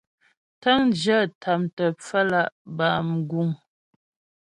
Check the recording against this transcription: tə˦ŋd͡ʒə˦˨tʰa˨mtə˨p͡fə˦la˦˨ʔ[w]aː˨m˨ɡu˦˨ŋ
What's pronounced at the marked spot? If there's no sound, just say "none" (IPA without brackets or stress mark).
b